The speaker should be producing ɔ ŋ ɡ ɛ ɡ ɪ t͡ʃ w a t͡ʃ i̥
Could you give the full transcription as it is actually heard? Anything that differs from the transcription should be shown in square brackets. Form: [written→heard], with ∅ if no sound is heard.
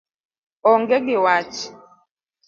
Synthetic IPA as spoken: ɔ ŋ ɡ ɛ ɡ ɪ [t͡ʃ→∅] w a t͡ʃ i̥